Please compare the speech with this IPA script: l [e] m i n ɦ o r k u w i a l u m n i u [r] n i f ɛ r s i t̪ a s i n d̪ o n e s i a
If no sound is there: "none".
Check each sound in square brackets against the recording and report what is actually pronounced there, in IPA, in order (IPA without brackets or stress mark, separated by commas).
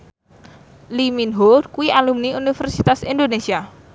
i, none